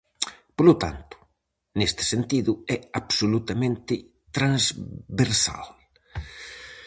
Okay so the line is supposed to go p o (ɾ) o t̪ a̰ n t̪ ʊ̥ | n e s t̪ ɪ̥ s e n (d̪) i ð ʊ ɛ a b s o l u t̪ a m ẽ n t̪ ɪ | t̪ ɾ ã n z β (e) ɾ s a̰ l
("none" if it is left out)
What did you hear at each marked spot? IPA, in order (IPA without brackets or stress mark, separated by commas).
l, t̪, e